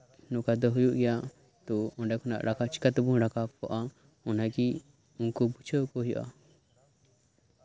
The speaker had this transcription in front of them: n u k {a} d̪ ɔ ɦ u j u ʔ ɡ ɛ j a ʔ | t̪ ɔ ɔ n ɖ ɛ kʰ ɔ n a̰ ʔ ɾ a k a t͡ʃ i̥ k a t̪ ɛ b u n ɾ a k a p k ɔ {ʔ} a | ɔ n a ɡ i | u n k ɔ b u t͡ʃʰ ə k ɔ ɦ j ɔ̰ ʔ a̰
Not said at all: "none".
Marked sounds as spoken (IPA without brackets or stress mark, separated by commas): a, ʔ